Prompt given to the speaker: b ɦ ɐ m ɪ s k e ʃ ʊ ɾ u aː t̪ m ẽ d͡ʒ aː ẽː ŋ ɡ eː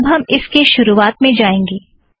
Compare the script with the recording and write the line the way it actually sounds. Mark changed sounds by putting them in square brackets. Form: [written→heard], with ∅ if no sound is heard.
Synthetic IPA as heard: b ɦ ɐ m ɪ s k e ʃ ʊ ɾ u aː t̪ m ẽ d͡ʒ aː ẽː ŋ ɡ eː